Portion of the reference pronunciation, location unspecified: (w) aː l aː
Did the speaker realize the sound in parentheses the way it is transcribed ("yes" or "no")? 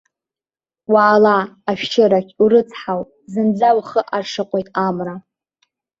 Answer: yes